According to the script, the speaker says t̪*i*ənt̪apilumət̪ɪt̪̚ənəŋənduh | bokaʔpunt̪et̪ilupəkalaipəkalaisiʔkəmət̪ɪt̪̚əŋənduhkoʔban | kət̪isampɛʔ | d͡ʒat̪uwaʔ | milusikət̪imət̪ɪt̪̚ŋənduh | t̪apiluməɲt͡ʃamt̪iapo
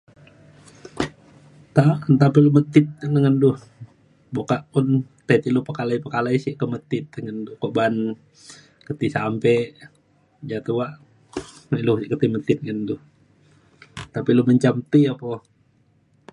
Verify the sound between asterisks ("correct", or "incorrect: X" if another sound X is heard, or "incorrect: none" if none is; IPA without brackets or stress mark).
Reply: incorrect: a